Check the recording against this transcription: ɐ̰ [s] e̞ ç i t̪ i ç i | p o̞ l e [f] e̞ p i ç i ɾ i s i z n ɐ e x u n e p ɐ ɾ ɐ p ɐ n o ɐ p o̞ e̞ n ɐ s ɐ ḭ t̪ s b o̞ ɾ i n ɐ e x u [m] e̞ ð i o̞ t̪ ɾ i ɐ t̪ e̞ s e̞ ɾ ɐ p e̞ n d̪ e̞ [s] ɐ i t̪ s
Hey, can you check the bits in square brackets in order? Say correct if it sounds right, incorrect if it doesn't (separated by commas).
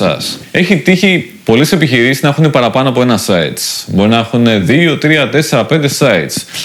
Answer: correct, incorrect, incorrect, correct